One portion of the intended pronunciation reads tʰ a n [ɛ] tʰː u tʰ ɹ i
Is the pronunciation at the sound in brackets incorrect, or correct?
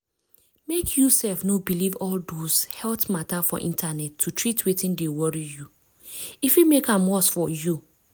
correct